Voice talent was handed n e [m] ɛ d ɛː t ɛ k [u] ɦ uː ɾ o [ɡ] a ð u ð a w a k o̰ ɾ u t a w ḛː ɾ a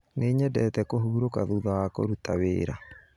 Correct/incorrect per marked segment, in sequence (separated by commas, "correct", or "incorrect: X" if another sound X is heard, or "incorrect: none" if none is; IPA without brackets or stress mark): incorrect: ɲ, incorrect: o, incorrect: k